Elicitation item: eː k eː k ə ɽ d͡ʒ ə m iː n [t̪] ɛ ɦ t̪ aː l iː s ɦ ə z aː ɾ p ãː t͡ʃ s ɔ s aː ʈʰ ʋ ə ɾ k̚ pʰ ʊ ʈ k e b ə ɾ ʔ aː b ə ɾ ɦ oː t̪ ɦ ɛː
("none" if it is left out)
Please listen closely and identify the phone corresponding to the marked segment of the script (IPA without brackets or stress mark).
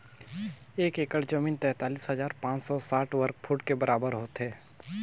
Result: t̪